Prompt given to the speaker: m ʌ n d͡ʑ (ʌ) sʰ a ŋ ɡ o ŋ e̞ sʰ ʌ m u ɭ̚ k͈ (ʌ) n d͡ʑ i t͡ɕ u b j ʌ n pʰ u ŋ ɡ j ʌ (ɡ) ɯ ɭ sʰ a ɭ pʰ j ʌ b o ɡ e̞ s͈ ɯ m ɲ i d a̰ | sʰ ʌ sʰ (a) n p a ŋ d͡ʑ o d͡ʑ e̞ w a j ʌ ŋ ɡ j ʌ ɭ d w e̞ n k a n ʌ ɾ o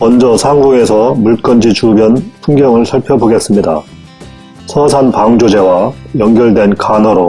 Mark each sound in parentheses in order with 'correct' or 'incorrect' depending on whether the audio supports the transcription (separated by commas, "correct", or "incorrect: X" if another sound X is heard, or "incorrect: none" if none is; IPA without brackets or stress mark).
correct, correct, incorrect: ŋ, correct